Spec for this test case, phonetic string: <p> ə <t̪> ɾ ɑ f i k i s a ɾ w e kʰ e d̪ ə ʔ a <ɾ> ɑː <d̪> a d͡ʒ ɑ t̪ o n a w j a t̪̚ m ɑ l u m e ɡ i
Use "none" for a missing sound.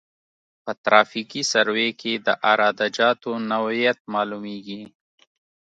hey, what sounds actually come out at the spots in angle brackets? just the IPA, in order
p, t̪, ɾ, d̪

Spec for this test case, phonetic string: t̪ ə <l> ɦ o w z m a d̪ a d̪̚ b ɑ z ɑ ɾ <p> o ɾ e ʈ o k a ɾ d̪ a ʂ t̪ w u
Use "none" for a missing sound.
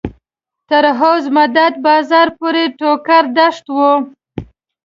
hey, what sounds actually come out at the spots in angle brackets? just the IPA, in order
ɾ, p

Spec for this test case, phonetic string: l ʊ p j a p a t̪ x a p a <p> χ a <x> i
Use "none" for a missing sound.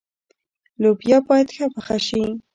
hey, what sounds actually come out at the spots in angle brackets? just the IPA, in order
none, ʃ

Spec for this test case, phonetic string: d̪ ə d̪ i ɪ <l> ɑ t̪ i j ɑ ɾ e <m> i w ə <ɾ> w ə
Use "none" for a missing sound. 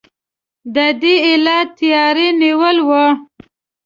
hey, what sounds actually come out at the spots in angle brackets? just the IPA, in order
l, n, l

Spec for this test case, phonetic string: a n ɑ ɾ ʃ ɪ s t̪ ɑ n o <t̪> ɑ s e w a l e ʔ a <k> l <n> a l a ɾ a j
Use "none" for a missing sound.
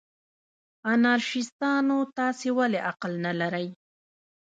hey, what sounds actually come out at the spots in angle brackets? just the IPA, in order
t̪, q, n

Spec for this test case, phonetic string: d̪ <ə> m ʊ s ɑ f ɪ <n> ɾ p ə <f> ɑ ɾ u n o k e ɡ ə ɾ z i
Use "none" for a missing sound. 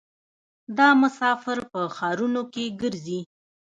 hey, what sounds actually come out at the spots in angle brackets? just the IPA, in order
ɑ, none, x

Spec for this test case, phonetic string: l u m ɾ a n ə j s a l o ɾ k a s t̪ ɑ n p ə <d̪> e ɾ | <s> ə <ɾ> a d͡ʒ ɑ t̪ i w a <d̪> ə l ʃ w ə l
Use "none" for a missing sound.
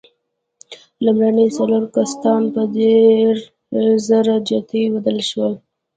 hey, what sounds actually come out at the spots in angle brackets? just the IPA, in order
d̪, z, ɾ, d̪

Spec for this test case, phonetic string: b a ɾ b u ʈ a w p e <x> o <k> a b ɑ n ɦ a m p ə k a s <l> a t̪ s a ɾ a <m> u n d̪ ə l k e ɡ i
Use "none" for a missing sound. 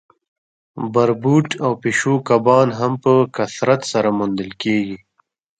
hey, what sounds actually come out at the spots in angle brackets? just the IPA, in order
ʃ, k, ɾ, m

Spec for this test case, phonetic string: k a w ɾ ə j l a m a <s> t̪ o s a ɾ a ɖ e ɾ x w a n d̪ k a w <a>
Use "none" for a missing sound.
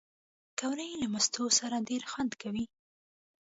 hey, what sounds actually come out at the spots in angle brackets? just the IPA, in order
s, i

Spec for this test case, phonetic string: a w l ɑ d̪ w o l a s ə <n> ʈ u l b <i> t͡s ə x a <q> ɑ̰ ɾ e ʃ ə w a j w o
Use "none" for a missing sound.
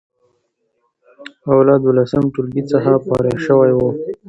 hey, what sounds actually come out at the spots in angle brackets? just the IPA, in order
m, i, p

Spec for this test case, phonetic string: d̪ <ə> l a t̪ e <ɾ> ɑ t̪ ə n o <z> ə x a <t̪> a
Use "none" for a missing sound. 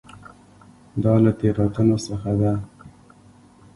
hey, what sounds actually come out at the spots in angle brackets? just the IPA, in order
ɑ, ɾ, s, d̪

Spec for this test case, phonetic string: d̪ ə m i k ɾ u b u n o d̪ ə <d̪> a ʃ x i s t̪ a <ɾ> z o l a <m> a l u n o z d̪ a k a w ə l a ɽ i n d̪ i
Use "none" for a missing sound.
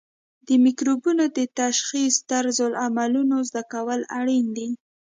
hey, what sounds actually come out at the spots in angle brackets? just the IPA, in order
t̪, ɾ, m

